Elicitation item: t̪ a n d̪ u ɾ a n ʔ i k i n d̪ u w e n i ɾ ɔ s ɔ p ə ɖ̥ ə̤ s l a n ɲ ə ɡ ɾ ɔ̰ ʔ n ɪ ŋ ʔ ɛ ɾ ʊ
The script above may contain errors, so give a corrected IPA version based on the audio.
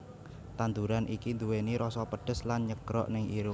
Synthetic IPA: t̪ a n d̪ u ɾ a n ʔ i k i n d̪ u w e n i ɾ ɔ s ɔ p ə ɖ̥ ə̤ s l a n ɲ ə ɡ ɾ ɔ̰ ʔ n ɪ ŋ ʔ i ɾ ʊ